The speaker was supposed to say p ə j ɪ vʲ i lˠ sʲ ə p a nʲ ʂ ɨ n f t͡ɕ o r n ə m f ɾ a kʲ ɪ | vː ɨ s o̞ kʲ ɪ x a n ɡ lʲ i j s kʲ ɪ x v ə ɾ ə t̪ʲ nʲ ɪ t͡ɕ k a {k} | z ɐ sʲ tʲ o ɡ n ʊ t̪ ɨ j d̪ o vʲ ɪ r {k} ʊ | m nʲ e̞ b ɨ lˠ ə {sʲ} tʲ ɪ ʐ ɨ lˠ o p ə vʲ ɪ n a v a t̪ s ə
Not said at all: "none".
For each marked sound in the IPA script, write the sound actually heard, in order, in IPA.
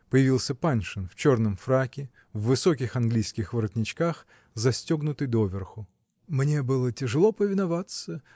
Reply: x, x, none

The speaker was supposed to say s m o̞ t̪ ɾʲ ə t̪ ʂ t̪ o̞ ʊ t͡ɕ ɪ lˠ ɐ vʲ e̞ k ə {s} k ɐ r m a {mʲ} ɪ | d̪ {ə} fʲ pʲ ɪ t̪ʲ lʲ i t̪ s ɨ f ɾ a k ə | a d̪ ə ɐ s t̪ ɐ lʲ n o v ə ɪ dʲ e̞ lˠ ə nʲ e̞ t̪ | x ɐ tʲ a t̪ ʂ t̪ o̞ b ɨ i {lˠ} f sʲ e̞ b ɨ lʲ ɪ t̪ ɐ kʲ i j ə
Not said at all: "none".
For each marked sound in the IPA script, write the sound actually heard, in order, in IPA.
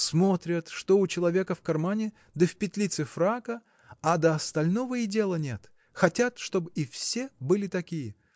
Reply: f, nʲ, ə, none

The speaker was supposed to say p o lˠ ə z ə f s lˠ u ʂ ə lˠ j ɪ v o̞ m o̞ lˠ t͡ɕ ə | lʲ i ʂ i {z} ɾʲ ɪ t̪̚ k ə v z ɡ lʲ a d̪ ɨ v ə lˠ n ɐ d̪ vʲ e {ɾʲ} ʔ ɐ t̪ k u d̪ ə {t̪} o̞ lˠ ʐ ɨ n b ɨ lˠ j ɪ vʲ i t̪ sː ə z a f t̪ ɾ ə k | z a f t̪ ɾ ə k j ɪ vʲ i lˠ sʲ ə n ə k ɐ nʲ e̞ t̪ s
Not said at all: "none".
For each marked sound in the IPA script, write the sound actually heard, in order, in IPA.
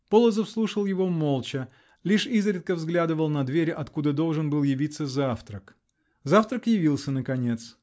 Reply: z, ɾʲ, d̪

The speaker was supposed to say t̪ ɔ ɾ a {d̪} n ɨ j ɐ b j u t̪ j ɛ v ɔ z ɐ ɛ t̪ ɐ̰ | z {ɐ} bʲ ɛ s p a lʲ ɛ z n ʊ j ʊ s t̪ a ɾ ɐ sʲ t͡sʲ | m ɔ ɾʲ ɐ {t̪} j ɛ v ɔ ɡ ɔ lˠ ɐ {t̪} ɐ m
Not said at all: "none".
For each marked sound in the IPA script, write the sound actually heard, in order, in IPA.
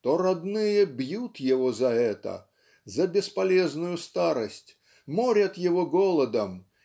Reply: d̪, ɐ, t̪, d̪

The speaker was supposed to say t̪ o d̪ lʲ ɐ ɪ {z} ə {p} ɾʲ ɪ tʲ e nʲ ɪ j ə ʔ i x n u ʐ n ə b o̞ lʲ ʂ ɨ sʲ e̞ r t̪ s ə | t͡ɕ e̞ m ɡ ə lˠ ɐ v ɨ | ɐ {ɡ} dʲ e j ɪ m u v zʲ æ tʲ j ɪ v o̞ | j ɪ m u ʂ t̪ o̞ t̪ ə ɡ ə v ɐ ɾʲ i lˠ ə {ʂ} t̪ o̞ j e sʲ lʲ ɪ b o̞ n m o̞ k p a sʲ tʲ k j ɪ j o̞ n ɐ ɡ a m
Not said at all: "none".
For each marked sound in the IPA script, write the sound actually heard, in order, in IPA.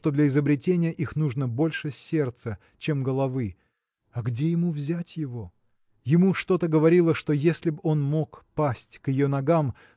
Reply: z, b, ɡ, ʂ

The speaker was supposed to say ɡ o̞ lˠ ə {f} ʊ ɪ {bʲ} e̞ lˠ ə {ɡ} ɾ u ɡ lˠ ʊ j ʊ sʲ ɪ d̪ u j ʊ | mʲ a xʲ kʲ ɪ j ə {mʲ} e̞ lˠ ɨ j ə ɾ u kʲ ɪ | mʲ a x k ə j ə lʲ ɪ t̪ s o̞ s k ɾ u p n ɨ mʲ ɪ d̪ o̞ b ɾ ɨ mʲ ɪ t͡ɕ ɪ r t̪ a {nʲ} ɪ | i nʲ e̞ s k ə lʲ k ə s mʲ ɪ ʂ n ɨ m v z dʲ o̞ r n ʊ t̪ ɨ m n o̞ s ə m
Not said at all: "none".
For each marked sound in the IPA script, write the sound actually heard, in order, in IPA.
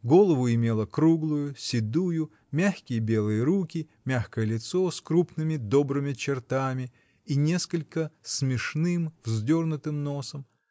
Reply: v, mʲ, k, bʲ, mʲ

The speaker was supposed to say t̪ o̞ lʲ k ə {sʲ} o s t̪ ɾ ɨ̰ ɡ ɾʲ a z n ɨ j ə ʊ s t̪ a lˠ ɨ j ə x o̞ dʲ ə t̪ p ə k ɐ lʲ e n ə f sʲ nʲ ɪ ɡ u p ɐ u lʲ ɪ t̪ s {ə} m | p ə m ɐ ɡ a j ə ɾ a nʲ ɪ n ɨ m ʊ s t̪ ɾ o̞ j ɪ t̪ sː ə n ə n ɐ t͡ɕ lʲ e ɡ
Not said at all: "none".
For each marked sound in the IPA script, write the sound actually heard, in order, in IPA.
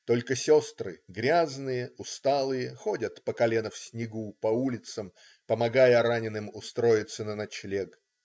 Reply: sʲ, ə

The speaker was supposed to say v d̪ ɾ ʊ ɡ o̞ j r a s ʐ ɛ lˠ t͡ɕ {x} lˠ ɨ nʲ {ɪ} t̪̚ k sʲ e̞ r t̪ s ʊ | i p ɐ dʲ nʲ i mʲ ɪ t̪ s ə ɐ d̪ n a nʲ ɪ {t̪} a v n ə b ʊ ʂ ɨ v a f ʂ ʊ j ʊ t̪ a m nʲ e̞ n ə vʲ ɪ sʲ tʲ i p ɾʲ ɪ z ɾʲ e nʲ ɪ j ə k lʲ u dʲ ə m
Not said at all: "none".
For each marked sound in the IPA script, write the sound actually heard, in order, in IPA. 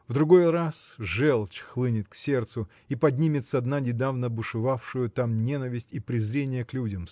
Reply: x, ɪ, d̪

